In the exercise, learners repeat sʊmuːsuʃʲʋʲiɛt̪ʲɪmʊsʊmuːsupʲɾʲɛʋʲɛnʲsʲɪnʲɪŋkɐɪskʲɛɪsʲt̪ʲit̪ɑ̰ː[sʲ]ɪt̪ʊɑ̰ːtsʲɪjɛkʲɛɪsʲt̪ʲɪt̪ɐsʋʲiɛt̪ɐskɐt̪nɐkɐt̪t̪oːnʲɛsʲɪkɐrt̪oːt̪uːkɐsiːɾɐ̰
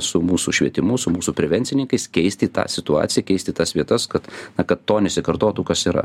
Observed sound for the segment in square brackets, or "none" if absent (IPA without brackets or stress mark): sʲ